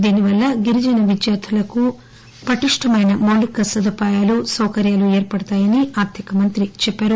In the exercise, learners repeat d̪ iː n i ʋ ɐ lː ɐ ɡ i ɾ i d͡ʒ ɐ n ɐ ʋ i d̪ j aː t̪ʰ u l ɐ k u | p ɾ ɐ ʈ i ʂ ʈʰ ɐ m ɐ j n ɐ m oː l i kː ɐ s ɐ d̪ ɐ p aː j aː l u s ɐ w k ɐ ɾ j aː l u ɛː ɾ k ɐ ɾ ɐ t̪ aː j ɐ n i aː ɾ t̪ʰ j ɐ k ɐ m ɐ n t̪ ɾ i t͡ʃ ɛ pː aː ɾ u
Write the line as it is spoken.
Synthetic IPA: d̪ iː n i ʋ ɐ lː ɐ ɡ i ɾ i d͡ʒ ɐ n ɐ ʋ i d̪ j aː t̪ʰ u l ɐ k u | p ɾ ɐ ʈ i ʂ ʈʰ ɐ m ɐ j n ɐ m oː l i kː ɐ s ɐ d̪ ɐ p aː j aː l u s ɐ w k ɐ ɾ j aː l u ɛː ɾ p ɐ ɽ ɐ t̪ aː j ɐ n i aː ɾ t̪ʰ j ɐ k ɐ m ɐ n t̪ ɾ i t͡ʃ ɛ pː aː ɾ u